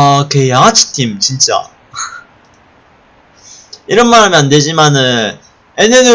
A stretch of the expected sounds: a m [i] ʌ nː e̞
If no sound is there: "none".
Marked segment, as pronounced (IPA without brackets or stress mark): j